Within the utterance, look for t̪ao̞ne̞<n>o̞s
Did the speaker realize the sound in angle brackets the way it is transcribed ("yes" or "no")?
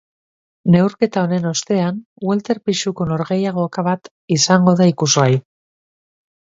yes